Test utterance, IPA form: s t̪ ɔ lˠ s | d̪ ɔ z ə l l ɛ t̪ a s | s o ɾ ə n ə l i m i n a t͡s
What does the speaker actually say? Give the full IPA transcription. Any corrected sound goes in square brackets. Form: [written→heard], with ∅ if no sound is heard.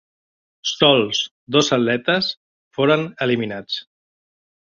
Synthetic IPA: s t̪ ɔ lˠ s | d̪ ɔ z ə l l ɛ t̪ [a→ə] s | [s→f] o ɾ ə n ə l i m i n a t͡s